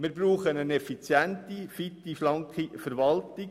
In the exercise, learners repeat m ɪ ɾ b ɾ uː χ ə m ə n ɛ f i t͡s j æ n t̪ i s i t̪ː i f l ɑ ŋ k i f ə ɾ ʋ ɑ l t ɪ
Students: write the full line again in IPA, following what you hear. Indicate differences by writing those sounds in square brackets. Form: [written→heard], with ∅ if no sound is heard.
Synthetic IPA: m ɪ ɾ b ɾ uː χ ə [m→n] ə n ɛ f i t͡s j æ n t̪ i [s→f] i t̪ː i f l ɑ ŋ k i f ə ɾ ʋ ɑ l t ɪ

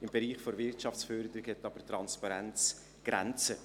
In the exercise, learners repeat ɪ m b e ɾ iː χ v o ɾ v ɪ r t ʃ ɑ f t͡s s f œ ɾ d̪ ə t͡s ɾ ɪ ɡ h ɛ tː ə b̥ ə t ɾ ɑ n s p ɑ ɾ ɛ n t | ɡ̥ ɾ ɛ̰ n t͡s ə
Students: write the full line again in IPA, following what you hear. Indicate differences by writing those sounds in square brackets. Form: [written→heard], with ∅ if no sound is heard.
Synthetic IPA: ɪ m b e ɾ iː χ [v→f] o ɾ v ɪ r t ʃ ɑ f t͡s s f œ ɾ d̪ ə [t͡s→∅] ɾ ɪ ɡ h ɛ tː [ə→ɑ] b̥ ə t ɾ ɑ n s p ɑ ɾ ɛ n [t→t͡s] | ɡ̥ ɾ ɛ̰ n t͡s ə

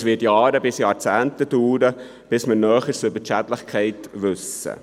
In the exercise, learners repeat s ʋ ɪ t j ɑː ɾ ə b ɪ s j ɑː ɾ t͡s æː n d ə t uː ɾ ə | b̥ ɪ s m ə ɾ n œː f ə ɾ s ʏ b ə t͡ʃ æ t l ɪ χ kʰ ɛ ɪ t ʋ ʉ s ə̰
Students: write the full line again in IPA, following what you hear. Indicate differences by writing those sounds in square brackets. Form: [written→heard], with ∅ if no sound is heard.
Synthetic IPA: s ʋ ɪ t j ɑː ɾ ə b ɪ s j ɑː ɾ t͡s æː n [d→t] ə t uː ɾ ə | b̥ ɪ s m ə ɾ n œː [f→χ] ə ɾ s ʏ b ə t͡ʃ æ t l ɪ χ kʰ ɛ ɪ t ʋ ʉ s ə̰

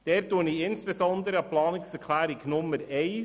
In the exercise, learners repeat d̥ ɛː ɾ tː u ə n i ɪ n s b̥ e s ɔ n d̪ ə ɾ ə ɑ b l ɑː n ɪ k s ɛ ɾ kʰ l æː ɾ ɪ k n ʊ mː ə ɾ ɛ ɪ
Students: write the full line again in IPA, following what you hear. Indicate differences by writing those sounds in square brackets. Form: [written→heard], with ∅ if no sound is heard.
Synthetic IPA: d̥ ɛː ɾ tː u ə n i ɪ n s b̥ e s ɔ n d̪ ə ɾ ə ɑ [b→p] l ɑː n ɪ k s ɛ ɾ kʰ l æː ɾ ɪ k n ʊ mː ə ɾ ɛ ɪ

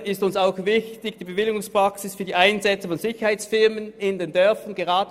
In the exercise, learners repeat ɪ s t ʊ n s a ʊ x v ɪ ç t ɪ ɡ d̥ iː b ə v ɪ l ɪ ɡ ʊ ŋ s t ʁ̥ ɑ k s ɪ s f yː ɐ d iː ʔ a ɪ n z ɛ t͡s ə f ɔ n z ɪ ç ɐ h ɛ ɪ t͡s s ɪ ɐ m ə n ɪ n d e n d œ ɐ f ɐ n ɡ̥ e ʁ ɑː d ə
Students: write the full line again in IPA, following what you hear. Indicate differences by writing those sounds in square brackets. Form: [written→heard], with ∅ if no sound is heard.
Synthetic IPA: ɪ s t ʊ n s a ʊ x v ɪ ç t ɪ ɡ d̥ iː b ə v ɪ l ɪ ɡ ʊ ŋ s [t→p] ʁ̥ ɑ k s ɪ s f yː ɐ d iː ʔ a ɪ n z ɛ t͡s ə f ɔ n z ɪ ç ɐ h [ɛ→a] ɪ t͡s [s→f] ɪ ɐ m ə n ɪ n d e n d œ ɐ f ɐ n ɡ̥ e ʁ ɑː d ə

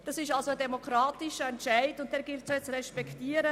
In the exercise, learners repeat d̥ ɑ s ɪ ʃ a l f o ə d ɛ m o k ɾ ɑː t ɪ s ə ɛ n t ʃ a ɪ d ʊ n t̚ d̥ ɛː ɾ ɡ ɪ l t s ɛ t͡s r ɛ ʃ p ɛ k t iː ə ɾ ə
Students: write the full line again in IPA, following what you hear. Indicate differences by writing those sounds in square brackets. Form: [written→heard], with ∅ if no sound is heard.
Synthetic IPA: d̥ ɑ s ɪ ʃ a l [f→s] o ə d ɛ m o k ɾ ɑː t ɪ [s→ʃ] ə ɛ n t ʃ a ɪ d ʊ n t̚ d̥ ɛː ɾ ɡ ɪ l t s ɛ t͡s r ɛ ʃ p ɛ k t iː ə ɾ ə

